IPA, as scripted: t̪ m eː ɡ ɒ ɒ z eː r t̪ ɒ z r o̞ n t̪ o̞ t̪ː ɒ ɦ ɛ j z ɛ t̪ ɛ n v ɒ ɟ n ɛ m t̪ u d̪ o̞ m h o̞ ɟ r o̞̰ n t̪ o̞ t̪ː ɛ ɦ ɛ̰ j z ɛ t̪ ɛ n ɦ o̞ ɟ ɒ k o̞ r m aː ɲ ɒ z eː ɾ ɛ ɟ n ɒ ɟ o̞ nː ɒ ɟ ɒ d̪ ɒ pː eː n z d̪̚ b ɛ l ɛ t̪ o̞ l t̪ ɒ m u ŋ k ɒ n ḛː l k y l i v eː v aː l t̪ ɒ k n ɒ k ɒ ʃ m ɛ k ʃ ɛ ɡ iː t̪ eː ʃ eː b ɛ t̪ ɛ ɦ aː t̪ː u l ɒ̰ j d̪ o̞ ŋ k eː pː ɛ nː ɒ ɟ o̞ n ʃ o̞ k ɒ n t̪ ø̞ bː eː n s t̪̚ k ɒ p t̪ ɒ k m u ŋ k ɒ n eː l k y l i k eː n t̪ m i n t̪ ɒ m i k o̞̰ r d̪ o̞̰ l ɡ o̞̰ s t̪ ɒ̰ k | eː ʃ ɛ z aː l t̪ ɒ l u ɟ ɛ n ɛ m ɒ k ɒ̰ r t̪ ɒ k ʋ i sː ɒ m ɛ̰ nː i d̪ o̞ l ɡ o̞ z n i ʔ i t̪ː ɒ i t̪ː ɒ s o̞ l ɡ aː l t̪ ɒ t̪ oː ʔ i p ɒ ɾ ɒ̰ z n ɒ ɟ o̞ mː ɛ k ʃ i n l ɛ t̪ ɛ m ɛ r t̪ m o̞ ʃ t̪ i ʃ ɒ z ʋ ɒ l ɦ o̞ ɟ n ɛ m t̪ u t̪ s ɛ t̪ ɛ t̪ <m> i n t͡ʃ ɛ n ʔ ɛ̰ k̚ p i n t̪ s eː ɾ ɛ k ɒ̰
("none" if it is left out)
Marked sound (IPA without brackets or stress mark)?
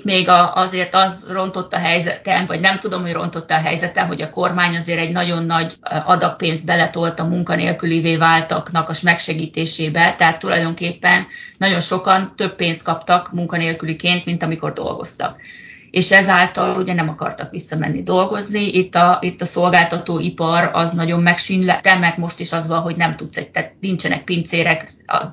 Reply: n